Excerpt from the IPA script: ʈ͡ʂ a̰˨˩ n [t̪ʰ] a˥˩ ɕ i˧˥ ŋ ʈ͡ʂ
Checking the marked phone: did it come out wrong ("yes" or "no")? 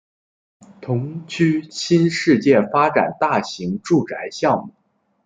yes